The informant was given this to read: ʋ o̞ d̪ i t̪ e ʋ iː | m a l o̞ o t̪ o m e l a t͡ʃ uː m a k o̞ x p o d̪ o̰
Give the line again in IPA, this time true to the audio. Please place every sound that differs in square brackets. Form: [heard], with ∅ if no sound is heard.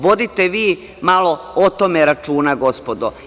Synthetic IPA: ʋ o̞ d̪ i t̪ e ʋ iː | m a l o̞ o t̪ o m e [ɾ] a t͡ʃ uː [n] a [ɡ] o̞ [s] p o d̪ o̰